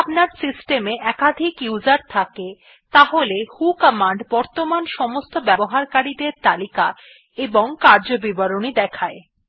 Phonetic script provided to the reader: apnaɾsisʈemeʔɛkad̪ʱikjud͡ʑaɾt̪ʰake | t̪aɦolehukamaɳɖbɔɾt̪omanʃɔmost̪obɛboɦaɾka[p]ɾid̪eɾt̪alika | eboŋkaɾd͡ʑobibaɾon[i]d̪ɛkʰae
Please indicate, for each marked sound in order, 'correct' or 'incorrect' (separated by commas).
incorrect, correct